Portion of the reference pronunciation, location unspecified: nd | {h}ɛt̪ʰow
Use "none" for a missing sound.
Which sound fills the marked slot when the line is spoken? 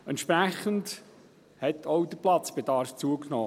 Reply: h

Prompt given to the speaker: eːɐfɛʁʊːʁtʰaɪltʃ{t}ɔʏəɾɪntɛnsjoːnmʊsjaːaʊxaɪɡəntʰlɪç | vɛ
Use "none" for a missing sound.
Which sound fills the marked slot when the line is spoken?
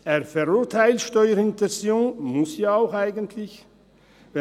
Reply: t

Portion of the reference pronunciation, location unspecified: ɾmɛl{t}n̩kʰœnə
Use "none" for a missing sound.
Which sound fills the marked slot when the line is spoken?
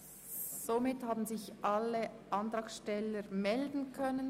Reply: d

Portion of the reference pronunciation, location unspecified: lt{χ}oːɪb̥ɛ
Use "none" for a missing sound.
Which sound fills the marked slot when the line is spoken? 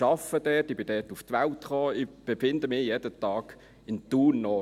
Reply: χ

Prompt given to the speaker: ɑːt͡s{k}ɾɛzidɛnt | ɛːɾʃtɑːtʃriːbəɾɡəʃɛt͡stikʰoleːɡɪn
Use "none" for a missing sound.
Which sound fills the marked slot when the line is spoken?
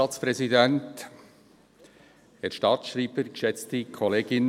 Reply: p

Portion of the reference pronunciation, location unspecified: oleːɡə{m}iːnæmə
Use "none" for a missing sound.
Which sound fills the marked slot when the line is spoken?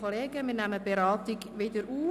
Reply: m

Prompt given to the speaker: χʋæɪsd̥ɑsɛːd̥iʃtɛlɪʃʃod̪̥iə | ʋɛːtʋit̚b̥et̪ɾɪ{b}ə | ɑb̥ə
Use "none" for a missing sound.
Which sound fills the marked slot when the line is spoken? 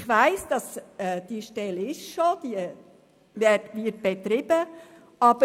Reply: b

